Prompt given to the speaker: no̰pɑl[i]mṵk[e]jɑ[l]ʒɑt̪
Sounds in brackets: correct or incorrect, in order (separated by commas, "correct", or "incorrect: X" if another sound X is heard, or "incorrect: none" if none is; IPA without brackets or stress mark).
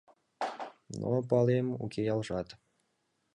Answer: incorrect: e, correct, correct